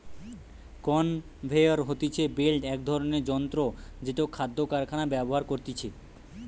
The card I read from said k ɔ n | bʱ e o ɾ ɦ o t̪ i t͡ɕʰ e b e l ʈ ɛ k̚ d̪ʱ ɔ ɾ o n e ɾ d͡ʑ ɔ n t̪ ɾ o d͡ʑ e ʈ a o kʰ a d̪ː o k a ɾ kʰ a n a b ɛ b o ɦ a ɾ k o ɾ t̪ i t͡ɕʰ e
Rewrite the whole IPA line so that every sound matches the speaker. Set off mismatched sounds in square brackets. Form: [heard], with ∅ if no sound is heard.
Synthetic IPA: k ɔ n | bʱ e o ɾ ɦ o t̪ i t͡ɕʰ e b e l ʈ ɛ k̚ d̪ʱ ɔ ɾ o n e ɾ d͡ʑ ɔ n t̪ ɾ o d͡ʑ e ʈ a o kʰ a d̪ː o k a ɾ kʰ a n a b ɛ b o ɦ a ɾ k o ɾ t̪ i t͡ɕʰ e